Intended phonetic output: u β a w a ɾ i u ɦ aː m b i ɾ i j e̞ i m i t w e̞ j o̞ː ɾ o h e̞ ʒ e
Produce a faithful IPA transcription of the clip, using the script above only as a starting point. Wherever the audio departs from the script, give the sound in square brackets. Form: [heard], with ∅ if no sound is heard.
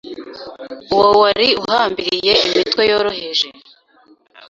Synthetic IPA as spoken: u [w] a w a ɾ i u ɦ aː m b i ɾ i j e̞ i m i t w e̞ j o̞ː ɾ o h e̞ ʒ e